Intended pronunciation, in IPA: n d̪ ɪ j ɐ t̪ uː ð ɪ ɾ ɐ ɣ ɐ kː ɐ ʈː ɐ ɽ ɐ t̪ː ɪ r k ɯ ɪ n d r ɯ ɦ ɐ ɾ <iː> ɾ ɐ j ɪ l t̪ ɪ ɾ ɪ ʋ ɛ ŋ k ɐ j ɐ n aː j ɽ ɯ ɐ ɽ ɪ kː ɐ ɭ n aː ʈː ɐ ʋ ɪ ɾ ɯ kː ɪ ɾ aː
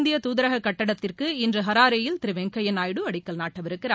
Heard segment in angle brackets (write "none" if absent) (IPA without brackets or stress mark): aː